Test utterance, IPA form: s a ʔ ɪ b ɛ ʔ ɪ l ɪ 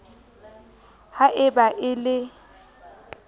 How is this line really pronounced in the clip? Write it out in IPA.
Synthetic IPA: h a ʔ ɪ b a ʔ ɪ l ɪ